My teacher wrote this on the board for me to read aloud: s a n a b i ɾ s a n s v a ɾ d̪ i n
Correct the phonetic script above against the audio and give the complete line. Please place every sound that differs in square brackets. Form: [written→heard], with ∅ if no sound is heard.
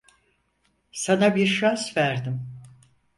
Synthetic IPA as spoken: s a n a b i ɾ [s→ʃ] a n s v [a→æ] ɾ d̪ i [n→m]